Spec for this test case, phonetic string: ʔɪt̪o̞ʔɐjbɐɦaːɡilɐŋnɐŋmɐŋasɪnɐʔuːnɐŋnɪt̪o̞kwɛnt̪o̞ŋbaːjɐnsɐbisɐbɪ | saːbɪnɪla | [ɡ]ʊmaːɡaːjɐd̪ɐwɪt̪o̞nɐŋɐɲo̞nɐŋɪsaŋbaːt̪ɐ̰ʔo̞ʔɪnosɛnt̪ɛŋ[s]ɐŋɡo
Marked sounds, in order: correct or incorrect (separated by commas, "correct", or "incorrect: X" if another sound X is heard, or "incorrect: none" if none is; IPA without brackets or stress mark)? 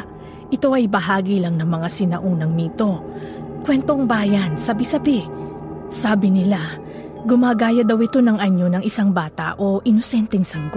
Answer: correct, correct